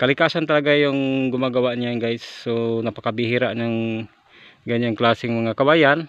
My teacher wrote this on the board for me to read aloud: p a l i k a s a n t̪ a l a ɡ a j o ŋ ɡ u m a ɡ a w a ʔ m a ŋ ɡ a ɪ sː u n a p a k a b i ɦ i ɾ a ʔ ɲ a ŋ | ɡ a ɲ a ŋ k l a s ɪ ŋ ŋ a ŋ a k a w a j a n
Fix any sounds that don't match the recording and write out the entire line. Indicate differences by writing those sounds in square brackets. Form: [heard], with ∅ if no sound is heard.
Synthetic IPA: [k] a l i k a s a n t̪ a l a ɡ a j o ŋ ɡ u m a ɡ a w a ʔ [ɲ] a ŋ ɡ a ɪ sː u n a p a k a b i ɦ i ɾ a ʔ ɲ a ŋ | ɡ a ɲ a ŋ k l a s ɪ ŋ [m] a ŋ a k a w a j a n